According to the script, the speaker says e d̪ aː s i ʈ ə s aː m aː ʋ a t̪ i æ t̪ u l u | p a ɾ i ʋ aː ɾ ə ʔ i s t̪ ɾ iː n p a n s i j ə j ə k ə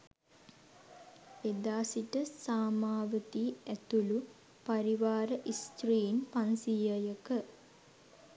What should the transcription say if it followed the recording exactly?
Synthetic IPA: e d̪ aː s i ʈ ə s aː m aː ʋ ə t̪ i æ t̪ u l u | p a ɾ i ʋ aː ɾ ə ʔ i s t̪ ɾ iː n p a n s i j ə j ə k ə